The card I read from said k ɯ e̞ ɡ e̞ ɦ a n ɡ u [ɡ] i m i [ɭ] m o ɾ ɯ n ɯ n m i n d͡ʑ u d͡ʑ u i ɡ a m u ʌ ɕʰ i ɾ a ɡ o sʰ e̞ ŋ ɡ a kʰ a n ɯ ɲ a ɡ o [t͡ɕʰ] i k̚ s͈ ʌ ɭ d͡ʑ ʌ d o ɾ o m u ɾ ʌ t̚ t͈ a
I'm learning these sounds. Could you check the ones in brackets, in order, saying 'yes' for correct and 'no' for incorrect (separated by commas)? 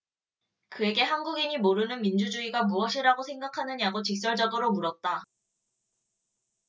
yes, no, no